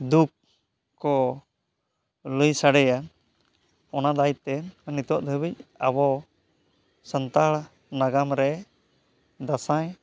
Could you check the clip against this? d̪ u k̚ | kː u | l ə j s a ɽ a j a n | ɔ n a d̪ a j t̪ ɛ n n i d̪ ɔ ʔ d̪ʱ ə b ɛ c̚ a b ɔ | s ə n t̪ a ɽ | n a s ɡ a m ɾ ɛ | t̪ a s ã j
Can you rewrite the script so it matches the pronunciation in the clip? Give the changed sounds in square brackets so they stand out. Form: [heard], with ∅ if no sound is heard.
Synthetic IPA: d̪ u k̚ | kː [ɔ] | l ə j s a ɽ [ɛ] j a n | ɔ n a d̪ a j t̪ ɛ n n i [t̪] ɔ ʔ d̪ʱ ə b [i] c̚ a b ɔ | s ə n t̪ a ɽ | n a [∅] ɡ a m ɾ ɛ | [d̪] a s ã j